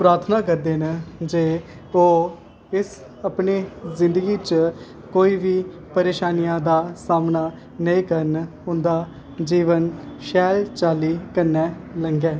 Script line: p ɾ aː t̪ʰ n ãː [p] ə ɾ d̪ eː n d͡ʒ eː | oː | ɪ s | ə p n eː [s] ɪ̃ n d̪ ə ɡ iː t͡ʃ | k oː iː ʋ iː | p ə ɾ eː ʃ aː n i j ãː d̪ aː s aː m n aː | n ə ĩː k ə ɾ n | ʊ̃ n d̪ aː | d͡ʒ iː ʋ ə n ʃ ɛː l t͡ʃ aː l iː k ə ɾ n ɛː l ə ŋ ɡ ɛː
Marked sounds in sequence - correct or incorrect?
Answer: incorrect: k, incorrect: z

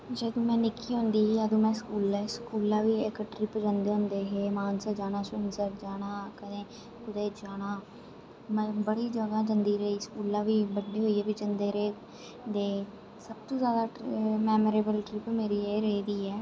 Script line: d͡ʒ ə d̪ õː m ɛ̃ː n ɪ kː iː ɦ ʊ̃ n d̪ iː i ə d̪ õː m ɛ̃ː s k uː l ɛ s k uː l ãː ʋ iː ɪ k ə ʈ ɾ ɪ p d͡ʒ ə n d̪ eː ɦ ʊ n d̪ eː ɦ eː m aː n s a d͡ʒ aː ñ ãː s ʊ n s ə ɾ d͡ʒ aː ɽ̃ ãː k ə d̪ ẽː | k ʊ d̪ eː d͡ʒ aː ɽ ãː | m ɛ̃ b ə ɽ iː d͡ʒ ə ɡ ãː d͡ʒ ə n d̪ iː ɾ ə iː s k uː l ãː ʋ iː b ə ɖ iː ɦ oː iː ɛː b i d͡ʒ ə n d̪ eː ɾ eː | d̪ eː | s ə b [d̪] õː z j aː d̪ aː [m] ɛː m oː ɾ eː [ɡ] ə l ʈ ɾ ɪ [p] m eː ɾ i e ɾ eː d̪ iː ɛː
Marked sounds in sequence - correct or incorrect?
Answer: incorrect: t̪, correct, incorrect: b, correct

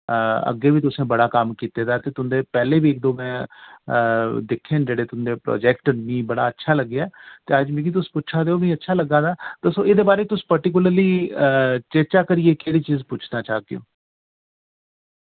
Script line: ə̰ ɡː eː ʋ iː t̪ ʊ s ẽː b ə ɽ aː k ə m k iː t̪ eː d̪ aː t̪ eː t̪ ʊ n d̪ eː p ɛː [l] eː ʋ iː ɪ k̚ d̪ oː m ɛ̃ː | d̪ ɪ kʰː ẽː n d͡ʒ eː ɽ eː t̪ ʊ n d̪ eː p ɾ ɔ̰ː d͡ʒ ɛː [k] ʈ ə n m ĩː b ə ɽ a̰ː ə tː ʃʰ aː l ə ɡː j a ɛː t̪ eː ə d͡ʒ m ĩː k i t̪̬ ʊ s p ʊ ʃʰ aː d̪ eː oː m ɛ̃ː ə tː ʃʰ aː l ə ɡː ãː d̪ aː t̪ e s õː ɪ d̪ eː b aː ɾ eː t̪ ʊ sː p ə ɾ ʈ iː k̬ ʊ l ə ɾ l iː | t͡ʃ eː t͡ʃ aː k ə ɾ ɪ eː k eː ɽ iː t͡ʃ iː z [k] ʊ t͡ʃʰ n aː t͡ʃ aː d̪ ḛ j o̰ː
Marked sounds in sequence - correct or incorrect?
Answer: correct, correct, incorrect: p

